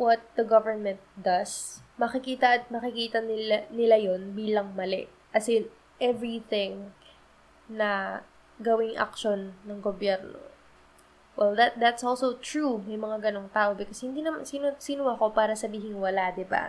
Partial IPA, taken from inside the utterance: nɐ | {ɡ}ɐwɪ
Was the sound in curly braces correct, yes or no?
yes